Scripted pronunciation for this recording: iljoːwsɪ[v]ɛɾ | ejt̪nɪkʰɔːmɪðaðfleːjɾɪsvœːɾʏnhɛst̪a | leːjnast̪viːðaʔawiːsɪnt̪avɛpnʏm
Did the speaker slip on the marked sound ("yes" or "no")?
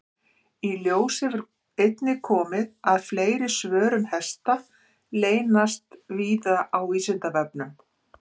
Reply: no